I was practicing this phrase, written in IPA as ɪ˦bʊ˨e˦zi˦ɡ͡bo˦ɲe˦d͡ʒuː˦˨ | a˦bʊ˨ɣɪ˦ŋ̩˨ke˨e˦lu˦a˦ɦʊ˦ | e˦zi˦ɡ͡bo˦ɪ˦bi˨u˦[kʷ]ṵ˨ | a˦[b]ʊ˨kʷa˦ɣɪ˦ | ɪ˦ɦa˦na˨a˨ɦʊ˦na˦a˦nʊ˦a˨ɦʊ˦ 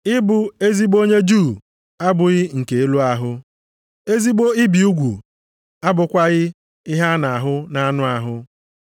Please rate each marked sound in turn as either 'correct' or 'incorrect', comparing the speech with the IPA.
incorrect, correct

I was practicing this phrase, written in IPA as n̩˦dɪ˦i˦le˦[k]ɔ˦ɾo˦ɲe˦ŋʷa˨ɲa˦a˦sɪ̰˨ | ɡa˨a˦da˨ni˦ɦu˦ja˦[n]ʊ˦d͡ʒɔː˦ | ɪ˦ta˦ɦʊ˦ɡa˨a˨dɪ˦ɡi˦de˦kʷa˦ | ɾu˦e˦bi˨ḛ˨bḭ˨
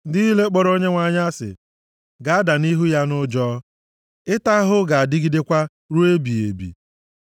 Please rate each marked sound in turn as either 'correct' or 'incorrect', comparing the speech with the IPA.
incorrect, correct

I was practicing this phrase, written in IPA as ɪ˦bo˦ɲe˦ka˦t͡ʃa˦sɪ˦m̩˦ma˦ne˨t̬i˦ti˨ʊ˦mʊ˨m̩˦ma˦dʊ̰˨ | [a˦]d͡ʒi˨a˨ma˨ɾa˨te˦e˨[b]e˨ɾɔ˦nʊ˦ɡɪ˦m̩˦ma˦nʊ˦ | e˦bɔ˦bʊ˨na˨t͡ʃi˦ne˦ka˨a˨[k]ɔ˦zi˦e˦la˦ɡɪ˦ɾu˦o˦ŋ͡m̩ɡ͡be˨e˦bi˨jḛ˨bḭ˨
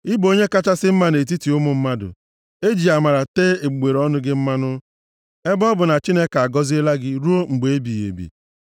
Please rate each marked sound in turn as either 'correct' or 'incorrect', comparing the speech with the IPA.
incorrect, incorrect, incorrect

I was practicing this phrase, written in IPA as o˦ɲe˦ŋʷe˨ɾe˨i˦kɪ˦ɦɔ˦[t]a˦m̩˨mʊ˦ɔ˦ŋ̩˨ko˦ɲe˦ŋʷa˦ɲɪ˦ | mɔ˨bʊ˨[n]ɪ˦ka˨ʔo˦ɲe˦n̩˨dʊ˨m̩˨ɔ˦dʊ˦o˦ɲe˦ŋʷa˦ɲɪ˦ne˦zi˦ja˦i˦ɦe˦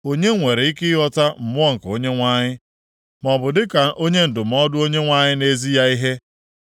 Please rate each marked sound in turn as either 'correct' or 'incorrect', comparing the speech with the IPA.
correct, incorrect

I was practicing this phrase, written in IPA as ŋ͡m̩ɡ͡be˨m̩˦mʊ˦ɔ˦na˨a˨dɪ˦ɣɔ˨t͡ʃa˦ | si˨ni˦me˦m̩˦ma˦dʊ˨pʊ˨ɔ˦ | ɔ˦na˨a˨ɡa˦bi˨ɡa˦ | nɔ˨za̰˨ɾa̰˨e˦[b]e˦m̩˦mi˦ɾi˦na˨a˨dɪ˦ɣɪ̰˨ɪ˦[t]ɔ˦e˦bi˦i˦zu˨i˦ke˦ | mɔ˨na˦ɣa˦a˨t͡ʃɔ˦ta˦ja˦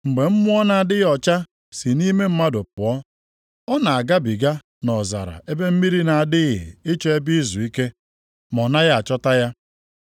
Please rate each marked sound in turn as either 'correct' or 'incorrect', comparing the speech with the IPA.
correct, incorrect

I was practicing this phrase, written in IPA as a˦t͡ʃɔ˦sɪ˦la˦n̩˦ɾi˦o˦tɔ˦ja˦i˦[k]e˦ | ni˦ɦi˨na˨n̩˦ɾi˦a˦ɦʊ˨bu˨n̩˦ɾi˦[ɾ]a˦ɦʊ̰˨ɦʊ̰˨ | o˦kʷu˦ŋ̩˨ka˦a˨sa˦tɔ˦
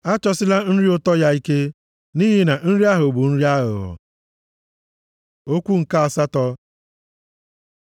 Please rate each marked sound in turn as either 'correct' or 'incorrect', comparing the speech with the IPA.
correct, incorrect

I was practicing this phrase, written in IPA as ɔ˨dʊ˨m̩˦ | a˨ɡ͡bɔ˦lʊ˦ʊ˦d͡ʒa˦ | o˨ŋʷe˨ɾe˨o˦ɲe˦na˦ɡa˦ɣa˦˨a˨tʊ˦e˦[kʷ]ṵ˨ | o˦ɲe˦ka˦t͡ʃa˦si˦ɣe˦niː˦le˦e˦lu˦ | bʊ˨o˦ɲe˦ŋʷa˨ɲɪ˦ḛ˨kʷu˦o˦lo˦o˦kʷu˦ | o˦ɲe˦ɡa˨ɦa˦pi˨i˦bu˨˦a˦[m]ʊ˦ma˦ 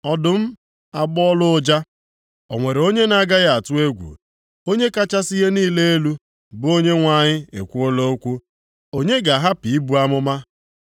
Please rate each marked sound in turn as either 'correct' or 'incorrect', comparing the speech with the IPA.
incorrect, correct

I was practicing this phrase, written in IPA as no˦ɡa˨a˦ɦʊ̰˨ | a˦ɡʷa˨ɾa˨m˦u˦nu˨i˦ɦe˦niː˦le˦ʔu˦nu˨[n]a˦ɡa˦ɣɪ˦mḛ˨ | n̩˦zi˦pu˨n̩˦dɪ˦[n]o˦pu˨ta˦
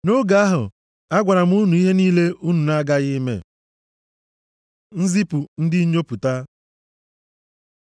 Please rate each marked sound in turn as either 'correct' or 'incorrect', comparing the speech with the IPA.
correct, incorrect

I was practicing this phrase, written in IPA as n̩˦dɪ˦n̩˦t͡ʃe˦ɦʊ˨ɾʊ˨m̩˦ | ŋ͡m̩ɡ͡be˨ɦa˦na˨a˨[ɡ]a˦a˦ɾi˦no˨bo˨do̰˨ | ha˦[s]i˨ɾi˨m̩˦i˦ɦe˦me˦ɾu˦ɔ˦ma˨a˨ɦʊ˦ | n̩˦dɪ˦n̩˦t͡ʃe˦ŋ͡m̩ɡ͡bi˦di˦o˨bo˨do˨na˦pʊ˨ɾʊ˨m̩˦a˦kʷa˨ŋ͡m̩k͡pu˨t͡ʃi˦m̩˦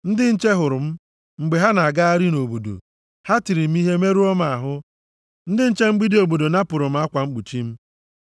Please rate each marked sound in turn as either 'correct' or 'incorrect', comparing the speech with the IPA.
correct, incorrect

